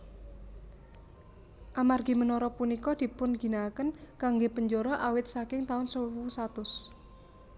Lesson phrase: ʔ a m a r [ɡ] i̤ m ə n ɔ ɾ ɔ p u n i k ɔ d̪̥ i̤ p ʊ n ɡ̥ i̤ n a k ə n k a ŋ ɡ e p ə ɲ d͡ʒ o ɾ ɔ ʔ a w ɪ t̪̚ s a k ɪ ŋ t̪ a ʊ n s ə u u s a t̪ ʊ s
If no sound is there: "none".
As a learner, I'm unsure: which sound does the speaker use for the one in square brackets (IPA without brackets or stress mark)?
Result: ɡ